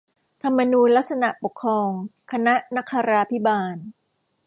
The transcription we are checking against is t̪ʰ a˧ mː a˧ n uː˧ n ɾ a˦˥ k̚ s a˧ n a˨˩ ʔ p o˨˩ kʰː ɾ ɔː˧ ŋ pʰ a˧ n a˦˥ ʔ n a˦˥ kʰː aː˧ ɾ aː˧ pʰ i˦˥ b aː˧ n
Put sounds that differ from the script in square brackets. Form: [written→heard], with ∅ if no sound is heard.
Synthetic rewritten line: t̪ʰ a˧ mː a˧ n uː˧ n [ɾ→l] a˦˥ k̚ s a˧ n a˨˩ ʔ p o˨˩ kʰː ɾ ɔː˧ ŋ [pʰ→kʰ] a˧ n a˦˥ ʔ n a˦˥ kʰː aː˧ ɾ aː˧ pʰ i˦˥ b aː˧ n